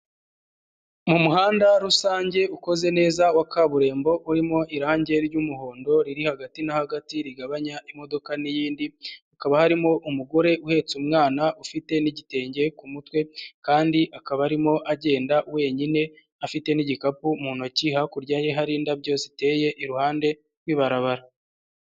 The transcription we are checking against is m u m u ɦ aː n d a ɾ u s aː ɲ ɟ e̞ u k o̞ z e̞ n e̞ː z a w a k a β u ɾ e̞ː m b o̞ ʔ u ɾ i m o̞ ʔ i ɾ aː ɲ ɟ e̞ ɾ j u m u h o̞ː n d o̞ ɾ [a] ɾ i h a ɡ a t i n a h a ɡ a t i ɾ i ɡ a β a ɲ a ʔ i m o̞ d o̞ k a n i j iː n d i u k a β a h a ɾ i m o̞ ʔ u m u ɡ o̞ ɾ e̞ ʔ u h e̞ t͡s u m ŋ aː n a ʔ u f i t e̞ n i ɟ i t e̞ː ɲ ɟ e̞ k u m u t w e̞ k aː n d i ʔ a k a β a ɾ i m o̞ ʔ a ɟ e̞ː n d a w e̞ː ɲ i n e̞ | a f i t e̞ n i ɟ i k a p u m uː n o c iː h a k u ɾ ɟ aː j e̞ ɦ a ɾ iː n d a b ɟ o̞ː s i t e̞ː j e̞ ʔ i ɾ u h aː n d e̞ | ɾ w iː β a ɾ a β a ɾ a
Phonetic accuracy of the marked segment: incorrect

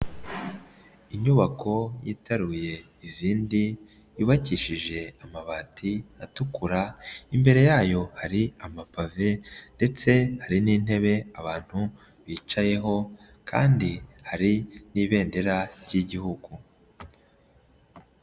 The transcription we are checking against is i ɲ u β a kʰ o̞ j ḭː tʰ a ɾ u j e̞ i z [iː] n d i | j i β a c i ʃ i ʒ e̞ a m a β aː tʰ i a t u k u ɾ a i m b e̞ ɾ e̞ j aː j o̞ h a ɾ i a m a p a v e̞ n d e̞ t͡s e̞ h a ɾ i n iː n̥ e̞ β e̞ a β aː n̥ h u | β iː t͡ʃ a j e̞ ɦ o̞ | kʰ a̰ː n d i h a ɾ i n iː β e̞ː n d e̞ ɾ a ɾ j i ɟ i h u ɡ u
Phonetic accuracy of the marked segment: correct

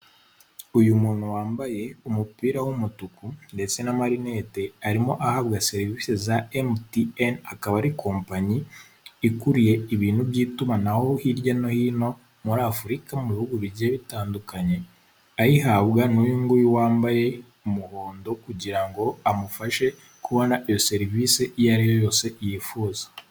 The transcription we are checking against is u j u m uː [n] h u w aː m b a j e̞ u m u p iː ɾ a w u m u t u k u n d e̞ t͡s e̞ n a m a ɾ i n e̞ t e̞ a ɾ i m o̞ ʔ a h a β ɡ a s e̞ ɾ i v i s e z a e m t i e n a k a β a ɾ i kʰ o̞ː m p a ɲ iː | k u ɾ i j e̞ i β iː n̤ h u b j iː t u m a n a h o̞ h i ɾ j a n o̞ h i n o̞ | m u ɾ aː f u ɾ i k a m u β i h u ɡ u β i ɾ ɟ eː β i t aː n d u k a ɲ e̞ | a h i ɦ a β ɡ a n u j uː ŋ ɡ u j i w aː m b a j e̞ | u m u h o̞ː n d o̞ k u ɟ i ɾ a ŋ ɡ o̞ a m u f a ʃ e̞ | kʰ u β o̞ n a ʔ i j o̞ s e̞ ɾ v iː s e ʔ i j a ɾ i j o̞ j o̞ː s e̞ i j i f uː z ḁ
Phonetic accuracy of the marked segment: correct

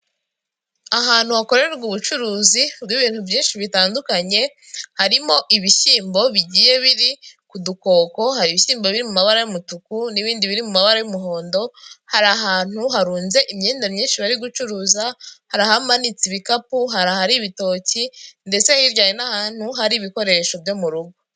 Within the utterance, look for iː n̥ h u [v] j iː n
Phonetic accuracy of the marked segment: correct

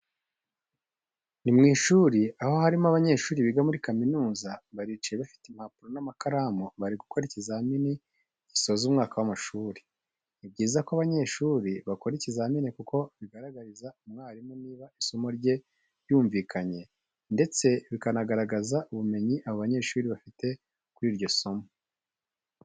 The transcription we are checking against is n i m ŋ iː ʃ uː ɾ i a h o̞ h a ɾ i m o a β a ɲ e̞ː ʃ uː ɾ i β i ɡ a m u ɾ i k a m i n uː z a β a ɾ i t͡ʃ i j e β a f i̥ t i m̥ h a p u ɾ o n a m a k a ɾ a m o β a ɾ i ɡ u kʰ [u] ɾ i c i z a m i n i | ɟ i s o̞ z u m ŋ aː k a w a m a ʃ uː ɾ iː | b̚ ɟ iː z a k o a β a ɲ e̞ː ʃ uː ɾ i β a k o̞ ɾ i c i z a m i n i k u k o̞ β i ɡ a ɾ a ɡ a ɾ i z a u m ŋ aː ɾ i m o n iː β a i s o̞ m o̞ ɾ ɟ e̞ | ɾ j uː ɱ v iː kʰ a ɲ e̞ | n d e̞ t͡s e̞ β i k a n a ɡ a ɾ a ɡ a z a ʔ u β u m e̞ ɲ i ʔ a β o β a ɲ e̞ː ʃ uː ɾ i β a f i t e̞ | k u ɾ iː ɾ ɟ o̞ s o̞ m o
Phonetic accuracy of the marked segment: incorrect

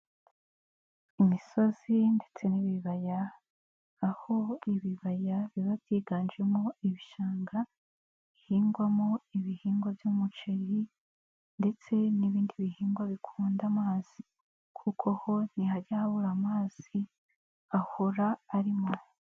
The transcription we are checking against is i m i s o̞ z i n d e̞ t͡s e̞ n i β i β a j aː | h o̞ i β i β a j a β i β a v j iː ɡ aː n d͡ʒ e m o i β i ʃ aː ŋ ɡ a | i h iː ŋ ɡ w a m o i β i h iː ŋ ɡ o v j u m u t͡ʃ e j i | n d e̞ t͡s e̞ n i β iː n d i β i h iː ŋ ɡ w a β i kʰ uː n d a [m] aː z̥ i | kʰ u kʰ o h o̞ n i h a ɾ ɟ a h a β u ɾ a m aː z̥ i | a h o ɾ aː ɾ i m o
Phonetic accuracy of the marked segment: correct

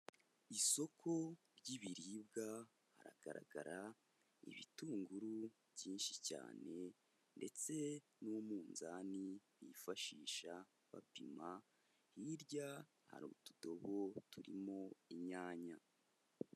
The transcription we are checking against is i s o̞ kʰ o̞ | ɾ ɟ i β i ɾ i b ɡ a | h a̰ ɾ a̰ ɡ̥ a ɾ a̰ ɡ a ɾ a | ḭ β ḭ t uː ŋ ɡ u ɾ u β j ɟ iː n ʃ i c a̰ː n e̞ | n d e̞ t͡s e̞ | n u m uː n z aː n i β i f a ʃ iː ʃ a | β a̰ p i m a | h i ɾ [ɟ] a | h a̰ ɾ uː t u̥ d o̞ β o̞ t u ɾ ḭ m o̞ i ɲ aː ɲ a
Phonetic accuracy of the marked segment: correct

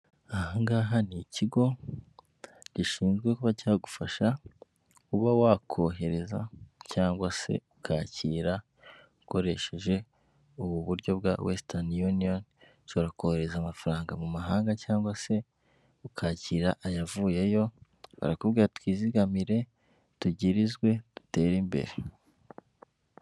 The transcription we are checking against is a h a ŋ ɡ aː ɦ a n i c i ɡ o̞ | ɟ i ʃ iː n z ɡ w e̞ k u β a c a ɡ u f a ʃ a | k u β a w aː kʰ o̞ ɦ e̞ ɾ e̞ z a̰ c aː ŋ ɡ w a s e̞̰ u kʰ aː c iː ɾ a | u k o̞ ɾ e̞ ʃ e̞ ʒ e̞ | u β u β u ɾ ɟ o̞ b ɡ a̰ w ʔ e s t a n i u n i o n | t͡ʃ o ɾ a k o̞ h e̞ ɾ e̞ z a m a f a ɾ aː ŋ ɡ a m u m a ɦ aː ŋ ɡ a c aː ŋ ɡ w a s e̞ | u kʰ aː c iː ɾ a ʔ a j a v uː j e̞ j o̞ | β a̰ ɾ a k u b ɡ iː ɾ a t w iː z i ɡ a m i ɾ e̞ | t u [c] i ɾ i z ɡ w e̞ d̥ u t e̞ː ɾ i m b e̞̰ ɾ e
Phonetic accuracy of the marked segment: incorrect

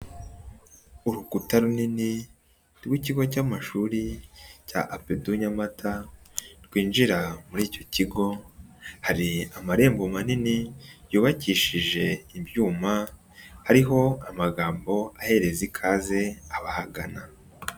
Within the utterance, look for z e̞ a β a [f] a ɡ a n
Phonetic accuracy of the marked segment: incorrect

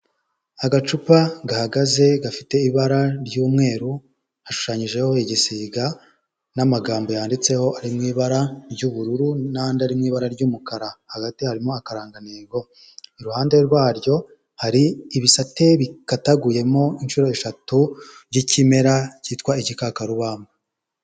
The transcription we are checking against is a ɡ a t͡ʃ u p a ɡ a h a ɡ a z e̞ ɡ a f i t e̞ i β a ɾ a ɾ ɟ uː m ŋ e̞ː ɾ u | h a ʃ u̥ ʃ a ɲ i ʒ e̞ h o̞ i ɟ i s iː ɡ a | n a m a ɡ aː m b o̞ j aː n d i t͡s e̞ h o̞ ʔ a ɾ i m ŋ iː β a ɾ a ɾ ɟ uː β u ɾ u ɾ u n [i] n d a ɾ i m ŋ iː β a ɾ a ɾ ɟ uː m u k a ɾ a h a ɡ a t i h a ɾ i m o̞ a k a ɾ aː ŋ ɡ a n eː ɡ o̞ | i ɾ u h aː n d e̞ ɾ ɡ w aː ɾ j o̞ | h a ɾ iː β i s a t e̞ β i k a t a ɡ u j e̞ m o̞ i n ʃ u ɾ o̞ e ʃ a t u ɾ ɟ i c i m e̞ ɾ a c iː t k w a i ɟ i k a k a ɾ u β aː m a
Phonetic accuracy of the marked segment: incorrect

